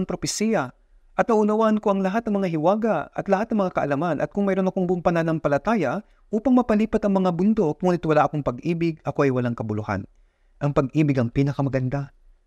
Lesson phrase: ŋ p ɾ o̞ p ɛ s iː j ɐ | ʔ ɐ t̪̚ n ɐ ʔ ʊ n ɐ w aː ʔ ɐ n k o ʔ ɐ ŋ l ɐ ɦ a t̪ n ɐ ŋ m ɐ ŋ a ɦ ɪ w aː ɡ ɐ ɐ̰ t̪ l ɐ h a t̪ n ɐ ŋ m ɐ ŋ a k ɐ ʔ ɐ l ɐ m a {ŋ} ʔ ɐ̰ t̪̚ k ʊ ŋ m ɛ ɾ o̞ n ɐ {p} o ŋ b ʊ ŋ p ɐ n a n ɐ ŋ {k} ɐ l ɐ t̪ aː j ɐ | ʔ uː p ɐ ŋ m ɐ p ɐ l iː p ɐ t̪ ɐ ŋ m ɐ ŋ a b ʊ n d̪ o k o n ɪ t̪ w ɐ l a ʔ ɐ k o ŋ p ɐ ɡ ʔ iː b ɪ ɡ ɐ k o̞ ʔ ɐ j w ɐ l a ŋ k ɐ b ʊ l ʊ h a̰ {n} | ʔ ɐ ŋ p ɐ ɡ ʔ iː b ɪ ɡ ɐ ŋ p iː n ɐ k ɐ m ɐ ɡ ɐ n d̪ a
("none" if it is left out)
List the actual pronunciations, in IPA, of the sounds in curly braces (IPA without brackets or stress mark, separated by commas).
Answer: n, k, p, n